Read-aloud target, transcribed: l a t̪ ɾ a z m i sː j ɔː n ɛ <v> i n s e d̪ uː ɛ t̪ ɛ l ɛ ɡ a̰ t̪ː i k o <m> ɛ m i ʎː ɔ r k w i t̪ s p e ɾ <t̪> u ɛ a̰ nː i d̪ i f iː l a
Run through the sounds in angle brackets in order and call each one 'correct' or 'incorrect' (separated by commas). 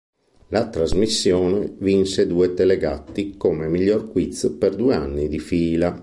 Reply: correct, correct, incorrect